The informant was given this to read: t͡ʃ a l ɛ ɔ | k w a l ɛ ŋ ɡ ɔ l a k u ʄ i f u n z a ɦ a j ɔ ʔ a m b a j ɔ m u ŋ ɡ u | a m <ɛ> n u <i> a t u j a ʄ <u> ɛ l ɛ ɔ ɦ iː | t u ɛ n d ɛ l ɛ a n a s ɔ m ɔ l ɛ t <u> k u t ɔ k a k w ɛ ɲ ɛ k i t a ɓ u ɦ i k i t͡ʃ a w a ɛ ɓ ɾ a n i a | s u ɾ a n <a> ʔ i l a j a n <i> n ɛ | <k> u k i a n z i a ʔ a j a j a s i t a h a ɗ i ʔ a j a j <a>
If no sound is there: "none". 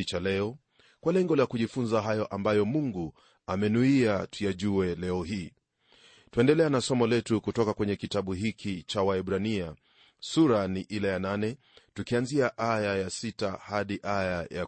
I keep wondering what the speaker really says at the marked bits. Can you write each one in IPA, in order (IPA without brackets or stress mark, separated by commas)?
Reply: ɛ, i, u, u, i, a, t, a